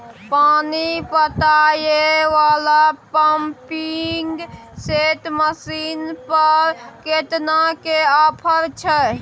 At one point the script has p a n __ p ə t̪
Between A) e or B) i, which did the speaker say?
B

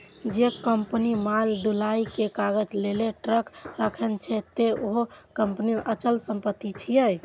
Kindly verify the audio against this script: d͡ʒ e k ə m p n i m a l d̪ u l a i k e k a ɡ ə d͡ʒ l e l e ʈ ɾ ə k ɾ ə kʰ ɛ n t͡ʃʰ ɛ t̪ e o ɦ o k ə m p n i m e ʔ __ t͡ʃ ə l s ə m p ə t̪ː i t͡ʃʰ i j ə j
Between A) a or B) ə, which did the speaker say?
B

